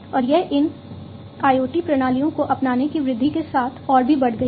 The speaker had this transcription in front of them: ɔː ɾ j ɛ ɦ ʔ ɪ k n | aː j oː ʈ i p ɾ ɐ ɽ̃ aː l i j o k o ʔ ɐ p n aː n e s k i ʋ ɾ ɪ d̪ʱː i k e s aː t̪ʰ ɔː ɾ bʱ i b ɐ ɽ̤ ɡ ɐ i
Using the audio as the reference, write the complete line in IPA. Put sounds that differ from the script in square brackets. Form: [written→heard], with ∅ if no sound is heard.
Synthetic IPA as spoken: ɔː ɾ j ɛ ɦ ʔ ɪ [k→∅] n | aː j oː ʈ i p ɾ ɐ ɽ̃ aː l i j [o→õ] k o ʔ ɐ p n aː n e [s→∅] k i ʋ ɾ ɪ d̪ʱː i k e s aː t̪ʰ ɔː ɾ bʱ i b ɐ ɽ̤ ɡ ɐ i